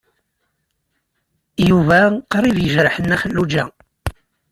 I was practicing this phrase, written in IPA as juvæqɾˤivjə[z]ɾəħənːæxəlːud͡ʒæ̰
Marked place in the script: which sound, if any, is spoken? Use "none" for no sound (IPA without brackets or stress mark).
ʒ